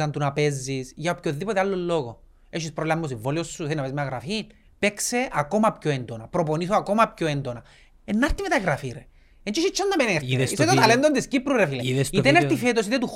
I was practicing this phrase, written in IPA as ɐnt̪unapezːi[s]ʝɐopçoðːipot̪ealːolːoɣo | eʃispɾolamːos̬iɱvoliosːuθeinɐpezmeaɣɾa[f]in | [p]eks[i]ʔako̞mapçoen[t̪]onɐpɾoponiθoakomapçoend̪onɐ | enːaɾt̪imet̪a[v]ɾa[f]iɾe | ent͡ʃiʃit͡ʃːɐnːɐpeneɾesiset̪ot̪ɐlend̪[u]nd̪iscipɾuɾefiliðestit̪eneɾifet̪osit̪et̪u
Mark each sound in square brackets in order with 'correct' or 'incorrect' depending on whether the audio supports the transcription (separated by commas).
correct, correct, correct, incorrect, incorrect, incorrect, correct, incorrect